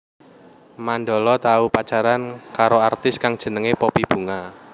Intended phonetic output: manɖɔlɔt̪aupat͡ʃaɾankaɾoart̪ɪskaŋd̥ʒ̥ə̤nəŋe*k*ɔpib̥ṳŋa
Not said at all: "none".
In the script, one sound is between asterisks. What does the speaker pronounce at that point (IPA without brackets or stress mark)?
p